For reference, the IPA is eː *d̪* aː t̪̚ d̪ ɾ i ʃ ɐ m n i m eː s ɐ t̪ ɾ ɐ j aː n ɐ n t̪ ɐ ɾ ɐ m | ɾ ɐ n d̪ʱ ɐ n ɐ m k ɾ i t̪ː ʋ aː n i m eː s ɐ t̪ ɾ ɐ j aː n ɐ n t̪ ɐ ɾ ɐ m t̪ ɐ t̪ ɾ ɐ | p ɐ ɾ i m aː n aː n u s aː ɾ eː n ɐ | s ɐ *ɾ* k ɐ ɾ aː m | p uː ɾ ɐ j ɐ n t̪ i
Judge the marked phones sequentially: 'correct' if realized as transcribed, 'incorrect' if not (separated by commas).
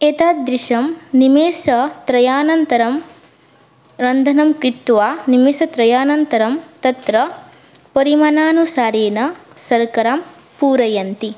incorrect, correct